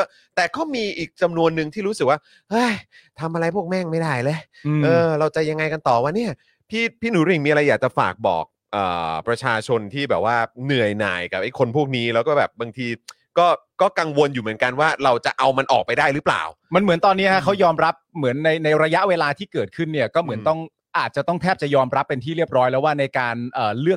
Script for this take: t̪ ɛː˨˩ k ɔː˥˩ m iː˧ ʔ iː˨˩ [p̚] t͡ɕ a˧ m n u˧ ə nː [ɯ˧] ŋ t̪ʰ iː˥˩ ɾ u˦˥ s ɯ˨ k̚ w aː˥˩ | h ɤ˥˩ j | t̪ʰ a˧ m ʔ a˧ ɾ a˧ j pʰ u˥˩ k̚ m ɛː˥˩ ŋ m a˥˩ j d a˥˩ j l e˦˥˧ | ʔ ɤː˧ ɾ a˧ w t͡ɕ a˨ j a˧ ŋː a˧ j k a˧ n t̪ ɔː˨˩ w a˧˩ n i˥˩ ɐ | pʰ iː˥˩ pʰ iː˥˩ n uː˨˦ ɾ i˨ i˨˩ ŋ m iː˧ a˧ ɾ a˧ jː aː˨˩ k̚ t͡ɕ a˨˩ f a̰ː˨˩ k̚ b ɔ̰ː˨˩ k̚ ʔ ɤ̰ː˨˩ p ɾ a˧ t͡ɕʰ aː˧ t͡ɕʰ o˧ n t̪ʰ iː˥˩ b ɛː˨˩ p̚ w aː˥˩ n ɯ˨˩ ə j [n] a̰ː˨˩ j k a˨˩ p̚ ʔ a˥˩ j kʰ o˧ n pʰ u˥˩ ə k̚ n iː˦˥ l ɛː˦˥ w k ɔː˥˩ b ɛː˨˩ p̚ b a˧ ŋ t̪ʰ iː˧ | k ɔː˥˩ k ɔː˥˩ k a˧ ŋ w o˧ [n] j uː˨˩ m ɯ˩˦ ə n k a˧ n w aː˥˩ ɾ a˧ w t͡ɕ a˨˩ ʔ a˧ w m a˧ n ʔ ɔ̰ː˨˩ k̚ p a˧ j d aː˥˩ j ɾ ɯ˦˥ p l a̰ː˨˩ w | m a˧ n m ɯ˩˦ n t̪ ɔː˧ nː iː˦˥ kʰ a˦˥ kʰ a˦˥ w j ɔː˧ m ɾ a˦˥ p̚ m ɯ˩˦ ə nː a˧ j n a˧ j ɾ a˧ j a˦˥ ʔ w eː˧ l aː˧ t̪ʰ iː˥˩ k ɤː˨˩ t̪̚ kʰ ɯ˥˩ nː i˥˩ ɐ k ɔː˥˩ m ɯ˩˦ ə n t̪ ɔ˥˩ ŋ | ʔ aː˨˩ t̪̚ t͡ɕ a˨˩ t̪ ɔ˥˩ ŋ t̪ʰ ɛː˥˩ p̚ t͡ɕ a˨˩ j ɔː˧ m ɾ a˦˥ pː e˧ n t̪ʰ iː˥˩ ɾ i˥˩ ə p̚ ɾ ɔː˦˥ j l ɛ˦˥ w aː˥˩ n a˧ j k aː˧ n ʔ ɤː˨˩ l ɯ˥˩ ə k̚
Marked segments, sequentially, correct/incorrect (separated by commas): incorrect, correct, correct, correct